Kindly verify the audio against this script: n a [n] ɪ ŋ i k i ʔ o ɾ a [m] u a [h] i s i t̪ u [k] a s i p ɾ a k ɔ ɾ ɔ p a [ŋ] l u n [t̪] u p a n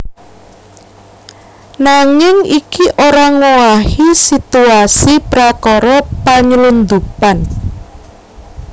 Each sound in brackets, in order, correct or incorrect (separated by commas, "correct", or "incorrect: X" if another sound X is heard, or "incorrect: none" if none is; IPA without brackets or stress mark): incorrect: ŋ, incorrect: ŋ, correct, incorrect: none, incorrect: ɲ, incorrect: d̪